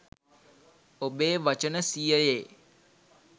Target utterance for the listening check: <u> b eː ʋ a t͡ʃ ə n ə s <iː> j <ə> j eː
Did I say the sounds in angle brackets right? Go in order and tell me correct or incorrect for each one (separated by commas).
incorrect, incorrect, correct